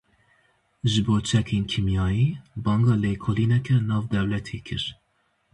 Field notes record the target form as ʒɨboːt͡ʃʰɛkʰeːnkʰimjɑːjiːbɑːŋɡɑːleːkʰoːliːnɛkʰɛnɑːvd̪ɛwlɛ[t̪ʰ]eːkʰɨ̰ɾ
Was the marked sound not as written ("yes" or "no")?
no